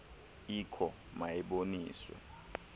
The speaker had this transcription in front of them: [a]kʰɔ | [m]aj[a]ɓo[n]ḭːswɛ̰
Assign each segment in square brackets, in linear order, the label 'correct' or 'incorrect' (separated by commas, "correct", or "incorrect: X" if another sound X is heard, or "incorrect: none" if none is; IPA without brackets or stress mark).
incorrect: i, correct, incorrect: ɛ, correct